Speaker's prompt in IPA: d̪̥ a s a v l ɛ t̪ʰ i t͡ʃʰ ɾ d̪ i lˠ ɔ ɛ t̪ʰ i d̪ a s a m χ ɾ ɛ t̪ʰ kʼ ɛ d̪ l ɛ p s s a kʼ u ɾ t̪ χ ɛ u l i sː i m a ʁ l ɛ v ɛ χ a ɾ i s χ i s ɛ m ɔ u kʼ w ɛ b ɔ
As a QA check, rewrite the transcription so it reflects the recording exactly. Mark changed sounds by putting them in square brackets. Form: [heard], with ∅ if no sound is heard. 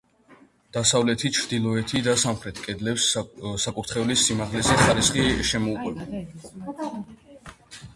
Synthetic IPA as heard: d̪̥ a s a v l ɛ t̪ʰ i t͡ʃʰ ɾ d̪ i lˠ ɔ ɛ t̪ʰ i d̪ a s a m χ ɾ ɛ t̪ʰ kʼ ɛ d̪ l ɛ p s s a kʼ u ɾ t̪ χ ɛ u l i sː i m a ʁ l ɛ [z] ɛ χ a ɾ i s χ i [ʃ] ɛ m ɔ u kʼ w ɛ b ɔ